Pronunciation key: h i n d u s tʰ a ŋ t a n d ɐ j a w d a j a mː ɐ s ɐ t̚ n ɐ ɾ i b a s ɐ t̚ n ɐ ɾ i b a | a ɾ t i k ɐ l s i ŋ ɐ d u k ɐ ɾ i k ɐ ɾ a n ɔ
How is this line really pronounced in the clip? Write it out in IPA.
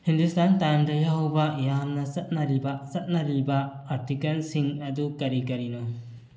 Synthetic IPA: h i n d u s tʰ a n t a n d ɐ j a w b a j a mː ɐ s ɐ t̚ n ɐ ɾ i b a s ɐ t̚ n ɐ ɾ i b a | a ɾ t i k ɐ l s i ŋ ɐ d u k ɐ ɾ i k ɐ ɾ i n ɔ